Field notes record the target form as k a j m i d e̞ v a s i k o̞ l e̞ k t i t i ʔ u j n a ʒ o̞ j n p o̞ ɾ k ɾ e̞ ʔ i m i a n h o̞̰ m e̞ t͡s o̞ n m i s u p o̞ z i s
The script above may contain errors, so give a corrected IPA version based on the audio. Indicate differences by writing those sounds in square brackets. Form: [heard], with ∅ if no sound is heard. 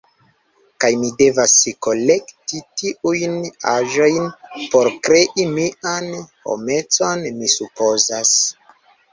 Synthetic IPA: k a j m i d e̞ v a s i k o̞ l e̞ k t i t i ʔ u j n a ʒ o̞ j n p o̞ ɾ k ɾ e̞ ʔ i m i a n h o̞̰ m e̞ t͡s o̞ n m i s u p o̞ z [a] s